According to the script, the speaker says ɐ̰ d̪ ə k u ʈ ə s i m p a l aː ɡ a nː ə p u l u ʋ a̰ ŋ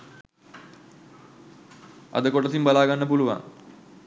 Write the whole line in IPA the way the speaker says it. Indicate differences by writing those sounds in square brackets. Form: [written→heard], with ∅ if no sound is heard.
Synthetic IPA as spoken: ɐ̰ d̪ ə k [u→o] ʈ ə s i m [p→b] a l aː ɡ a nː ə p u l u ʋ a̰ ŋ